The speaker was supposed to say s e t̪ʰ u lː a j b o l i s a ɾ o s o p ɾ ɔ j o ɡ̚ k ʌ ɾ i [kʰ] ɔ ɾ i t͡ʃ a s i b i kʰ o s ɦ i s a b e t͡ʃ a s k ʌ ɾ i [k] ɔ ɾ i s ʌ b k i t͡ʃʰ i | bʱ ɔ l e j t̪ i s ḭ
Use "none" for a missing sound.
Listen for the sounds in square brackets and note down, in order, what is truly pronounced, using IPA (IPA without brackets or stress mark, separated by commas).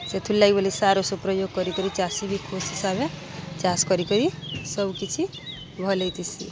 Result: k, k